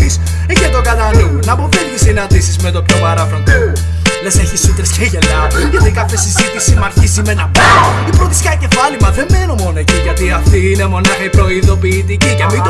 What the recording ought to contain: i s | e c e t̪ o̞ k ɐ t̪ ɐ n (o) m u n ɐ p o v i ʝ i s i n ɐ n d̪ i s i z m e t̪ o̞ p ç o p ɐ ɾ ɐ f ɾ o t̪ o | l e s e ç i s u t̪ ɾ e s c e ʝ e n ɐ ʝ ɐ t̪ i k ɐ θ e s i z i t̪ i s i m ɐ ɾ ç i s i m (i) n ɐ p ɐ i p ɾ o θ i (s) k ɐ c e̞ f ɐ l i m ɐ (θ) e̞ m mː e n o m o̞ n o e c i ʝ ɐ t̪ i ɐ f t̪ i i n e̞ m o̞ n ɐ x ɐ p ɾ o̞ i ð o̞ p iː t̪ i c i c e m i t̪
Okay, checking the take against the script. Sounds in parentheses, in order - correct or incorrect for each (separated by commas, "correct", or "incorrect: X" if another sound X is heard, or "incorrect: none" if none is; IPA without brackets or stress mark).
incorrect: u, incorrect: e, correct, incorrect: ð